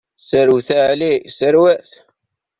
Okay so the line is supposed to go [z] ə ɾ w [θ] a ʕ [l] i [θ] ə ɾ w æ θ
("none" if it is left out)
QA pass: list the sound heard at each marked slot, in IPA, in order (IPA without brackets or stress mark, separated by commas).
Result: s, θ, l, s